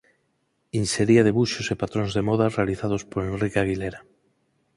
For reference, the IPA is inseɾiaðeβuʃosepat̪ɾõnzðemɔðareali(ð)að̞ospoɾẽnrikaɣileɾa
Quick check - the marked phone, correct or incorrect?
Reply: incorrect